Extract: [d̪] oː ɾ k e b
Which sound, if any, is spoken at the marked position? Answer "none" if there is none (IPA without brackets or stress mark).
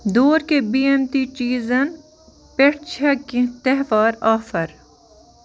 d̪